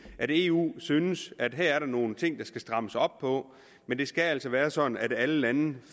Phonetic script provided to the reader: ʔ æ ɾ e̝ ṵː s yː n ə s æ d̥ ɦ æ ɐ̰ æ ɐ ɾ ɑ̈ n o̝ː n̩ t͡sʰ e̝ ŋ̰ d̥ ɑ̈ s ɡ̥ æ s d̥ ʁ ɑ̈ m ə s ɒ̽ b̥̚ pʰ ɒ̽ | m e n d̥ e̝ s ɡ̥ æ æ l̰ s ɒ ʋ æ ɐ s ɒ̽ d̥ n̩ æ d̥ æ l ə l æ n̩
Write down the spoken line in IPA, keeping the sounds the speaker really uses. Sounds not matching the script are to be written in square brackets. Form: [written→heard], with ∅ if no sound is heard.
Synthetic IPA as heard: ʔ æ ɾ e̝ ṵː s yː n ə s æ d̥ ɦ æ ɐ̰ æ ɐ ɾ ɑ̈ n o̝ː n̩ t͡sʰ e̝ ŋ̰ d̥ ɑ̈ s ɡ̥ æ s d̥ ʁ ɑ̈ m ə s ɒ̽ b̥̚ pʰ ɒ̽ | m e n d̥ e̝ s ɡ̥ æ æ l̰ s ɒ ʋ [æ→æː] ɐ s ɒ̽ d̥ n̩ æ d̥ æ l ə l æ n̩